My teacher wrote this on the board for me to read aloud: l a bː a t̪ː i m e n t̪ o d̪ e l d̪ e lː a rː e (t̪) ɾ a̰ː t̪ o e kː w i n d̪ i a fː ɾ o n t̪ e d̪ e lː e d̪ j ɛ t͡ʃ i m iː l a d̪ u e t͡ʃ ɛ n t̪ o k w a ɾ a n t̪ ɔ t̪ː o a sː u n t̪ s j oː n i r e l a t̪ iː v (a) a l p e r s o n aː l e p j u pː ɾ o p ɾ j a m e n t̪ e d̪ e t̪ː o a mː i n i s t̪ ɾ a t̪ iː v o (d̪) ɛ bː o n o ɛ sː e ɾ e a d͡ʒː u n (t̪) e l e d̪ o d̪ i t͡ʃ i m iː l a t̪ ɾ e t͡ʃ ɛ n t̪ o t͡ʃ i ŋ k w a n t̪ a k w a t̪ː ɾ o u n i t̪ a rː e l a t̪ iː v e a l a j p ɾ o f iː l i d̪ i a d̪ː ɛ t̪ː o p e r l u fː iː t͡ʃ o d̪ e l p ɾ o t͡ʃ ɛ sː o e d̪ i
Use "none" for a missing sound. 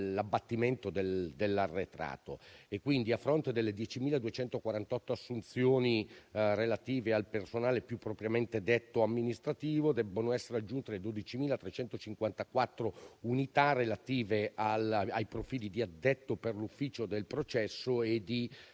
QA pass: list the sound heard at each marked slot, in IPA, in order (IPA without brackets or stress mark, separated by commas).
t̪, e, d̪, t̪